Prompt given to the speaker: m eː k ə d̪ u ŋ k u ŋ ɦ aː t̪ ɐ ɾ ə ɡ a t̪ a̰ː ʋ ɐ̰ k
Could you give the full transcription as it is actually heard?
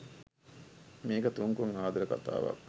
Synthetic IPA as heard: m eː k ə t̪ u ŋ k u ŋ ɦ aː d̪ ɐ ɾ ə k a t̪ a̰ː ʋ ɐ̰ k